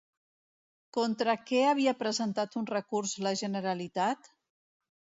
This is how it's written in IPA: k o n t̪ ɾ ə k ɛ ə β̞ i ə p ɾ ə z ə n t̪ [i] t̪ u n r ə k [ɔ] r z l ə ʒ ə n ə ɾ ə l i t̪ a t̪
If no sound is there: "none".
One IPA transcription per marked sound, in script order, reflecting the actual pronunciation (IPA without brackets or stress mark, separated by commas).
a, u